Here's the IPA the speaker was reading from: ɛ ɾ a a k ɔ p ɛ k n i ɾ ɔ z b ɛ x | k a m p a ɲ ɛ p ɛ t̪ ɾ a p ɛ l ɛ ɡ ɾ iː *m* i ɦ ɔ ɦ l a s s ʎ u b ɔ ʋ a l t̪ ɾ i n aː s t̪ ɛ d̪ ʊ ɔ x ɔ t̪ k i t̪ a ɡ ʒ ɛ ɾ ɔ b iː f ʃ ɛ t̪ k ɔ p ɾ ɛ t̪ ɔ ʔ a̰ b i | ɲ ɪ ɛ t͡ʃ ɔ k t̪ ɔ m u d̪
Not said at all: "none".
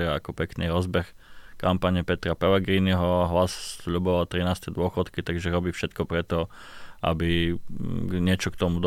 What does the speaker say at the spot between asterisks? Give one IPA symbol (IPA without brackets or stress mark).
n